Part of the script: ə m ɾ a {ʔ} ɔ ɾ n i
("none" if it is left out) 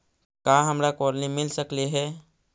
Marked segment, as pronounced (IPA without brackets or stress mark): k